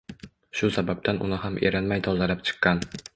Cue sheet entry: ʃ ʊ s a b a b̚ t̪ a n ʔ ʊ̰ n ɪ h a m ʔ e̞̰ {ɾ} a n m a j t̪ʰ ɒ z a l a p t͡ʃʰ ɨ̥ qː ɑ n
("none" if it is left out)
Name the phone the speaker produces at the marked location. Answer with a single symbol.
ɾ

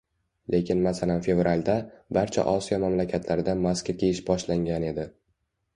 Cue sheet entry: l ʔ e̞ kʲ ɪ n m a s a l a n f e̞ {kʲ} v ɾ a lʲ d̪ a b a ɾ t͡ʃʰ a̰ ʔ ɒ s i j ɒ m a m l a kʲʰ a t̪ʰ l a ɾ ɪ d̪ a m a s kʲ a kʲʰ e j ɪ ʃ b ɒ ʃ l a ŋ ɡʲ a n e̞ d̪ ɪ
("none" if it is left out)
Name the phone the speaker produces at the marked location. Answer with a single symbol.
none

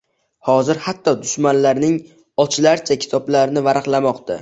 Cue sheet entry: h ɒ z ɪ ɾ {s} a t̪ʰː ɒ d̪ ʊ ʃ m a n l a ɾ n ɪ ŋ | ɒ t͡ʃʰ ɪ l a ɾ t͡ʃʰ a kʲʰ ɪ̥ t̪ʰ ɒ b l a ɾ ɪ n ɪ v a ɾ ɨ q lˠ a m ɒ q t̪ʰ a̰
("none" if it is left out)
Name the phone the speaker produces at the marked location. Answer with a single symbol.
h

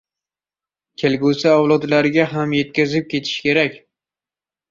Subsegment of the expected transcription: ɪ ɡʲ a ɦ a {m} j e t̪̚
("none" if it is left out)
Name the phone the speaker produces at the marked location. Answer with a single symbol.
m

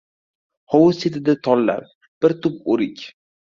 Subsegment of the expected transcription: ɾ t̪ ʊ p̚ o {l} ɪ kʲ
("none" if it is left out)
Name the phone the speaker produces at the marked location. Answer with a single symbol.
ɾ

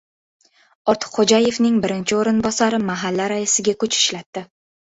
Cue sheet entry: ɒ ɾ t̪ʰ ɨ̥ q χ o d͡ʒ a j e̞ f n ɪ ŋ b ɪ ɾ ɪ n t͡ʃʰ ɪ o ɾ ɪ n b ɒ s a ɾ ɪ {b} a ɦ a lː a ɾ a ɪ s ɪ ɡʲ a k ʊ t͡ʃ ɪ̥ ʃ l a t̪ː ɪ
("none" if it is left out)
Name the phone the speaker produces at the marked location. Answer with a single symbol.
m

